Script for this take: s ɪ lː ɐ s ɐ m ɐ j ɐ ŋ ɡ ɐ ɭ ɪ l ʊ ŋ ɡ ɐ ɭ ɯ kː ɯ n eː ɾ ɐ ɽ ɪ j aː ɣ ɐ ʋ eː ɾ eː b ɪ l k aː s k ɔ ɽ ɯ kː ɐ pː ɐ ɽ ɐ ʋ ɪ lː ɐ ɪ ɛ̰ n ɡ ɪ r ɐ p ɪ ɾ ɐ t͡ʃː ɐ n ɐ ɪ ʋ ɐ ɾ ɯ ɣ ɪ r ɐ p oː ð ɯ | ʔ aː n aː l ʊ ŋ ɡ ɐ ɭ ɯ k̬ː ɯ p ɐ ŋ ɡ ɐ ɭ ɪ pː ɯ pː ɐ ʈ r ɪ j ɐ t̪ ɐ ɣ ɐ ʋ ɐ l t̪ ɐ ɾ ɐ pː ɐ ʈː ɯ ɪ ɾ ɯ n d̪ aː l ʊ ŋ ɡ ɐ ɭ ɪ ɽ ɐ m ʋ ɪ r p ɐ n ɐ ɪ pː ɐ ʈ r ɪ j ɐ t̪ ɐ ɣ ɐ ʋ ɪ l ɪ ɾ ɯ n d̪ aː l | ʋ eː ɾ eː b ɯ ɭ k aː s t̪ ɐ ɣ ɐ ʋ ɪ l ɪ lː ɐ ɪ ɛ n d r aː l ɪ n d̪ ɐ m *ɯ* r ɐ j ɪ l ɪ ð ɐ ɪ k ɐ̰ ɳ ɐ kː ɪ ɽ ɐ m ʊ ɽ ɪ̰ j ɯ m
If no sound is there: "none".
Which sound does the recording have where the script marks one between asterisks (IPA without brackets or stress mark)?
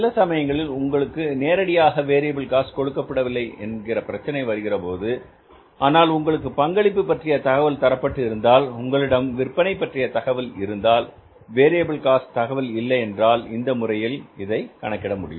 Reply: ʊ